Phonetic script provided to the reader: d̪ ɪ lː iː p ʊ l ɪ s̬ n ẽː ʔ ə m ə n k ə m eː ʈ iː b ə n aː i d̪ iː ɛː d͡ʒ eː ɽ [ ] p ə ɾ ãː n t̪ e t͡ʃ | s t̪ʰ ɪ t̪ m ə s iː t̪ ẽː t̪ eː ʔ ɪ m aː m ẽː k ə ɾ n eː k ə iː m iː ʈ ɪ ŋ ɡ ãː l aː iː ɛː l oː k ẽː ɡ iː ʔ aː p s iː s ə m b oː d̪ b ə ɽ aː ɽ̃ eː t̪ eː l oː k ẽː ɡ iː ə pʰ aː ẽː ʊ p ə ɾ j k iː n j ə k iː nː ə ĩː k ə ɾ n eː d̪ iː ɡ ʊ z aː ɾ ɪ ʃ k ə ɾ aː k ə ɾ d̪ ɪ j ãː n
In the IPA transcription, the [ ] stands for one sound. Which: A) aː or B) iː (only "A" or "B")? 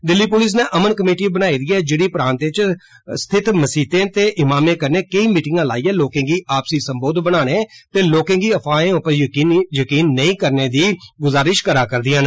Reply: B